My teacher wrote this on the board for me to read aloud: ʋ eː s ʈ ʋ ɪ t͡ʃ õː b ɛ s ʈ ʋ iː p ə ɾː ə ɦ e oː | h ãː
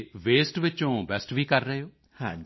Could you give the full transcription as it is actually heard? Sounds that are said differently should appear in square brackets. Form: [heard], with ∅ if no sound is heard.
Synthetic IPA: ʋ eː s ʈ ʋ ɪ t͡ʃ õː b ɛ s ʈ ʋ iː [k] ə ɾː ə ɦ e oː | h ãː